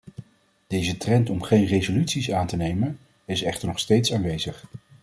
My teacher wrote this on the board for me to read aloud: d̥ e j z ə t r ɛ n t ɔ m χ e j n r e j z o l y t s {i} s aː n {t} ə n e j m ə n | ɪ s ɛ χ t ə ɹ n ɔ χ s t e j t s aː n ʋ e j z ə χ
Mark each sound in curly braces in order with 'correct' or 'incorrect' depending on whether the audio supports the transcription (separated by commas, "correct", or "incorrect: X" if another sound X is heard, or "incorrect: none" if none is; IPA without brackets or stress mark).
correct, correct